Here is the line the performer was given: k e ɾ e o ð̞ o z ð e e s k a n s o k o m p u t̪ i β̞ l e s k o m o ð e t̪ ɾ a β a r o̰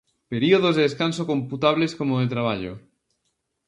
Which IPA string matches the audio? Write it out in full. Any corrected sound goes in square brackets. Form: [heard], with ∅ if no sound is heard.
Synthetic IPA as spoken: [p] e ɾ [i] o ð̞ o z ð e e s k a n s o k o m p u t̪ [a] β̞ l e s k o m o ð e t̪ ɾ a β a [ʎ] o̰